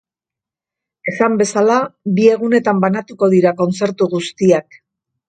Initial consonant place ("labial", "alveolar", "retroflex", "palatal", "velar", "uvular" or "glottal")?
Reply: alveolar